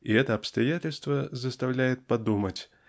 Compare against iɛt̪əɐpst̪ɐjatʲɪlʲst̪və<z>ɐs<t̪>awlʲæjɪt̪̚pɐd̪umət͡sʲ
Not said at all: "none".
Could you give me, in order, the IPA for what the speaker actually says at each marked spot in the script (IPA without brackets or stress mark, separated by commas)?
z, t̪